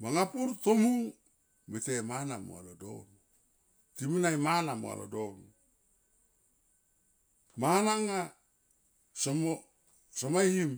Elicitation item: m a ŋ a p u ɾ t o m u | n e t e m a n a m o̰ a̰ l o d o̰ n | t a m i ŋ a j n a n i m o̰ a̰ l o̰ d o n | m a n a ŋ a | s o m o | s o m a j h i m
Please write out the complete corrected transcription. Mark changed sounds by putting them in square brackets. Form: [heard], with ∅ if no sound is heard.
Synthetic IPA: m a ŋ a p u ɾ t o m u | [m] e t e m a n a m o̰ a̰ l o d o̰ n | t [i] m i [n] a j [m] a n [a] m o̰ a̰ l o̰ d o n | m a n a ŋ a | s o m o | s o m a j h i m